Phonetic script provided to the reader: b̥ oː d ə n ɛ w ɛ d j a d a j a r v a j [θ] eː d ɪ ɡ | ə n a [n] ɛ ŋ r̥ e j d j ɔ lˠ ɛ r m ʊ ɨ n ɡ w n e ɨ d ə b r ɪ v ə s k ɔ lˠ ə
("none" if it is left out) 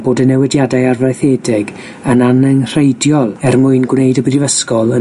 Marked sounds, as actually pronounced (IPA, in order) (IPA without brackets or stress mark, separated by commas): θ, n